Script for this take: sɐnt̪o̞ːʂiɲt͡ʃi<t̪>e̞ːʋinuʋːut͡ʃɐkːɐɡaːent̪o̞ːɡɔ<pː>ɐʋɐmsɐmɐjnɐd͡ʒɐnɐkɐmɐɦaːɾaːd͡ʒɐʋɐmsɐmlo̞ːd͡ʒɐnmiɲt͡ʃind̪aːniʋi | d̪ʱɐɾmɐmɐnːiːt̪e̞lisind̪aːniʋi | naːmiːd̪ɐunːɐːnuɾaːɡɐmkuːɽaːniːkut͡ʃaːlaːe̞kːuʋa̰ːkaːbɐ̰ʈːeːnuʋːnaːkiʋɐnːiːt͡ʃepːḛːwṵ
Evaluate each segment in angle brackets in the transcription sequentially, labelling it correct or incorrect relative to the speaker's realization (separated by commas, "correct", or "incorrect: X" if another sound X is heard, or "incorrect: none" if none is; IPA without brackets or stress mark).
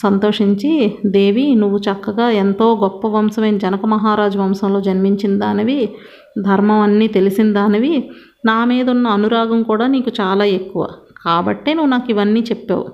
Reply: incorrect: d̪, correct